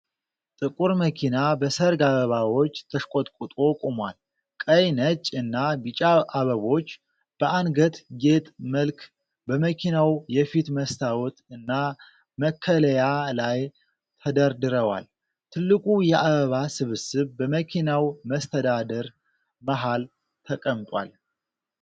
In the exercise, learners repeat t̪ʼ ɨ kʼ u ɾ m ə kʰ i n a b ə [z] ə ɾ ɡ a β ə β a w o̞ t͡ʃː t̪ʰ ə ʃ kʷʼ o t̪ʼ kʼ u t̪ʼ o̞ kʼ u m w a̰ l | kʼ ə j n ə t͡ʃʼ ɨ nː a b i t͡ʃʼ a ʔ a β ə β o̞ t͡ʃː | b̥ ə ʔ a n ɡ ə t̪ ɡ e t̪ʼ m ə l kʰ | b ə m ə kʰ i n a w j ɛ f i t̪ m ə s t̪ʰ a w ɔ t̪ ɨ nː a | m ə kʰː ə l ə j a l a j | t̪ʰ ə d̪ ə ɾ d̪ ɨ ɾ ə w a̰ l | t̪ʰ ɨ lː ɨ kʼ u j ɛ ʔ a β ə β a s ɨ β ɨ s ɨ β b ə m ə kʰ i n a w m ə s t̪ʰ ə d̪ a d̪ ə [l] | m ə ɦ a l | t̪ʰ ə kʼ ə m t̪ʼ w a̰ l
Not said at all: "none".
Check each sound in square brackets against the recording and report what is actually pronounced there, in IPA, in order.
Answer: s, ɾ

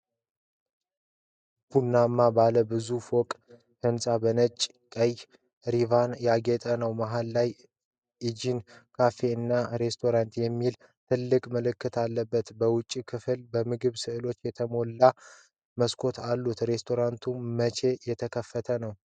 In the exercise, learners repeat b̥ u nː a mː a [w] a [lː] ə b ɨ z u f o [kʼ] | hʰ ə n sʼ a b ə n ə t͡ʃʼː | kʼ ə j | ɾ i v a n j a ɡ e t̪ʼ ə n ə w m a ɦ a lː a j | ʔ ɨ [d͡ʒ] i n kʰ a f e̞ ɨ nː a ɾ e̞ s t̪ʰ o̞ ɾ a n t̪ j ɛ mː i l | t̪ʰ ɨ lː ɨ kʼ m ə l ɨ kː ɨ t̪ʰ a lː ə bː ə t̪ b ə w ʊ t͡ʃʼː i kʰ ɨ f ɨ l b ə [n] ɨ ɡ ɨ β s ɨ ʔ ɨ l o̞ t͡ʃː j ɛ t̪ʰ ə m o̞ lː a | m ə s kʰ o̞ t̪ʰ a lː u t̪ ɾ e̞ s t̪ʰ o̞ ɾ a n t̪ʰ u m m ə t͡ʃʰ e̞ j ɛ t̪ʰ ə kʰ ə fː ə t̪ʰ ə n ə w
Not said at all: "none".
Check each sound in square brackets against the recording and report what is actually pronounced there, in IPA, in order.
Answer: b, l, kʼ, d͡ʒ, m

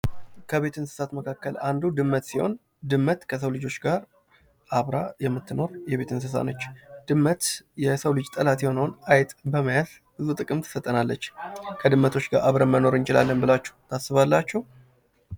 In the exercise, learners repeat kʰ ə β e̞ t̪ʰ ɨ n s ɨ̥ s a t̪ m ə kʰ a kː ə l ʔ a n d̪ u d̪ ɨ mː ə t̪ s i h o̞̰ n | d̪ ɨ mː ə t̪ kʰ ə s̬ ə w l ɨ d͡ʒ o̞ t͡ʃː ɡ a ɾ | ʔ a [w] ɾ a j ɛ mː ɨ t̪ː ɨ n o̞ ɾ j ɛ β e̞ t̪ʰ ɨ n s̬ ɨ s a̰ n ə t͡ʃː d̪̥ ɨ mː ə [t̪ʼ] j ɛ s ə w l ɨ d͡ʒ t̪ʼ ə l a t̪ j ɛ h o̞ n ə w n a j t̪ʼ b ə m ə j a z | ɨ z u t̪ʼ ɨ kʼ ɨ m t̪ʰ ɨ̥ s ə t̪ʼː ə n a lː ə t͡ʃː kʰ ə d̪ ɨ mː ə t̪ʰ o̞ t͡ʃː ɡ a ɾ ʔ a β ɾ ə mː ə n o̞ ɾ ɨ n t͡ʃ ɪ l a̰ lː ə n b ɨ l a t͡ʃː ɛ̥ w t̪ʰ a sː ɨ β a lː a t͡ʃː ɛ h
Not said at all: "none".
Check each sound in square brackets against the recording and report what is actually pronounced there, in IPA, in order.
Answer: β, t̪

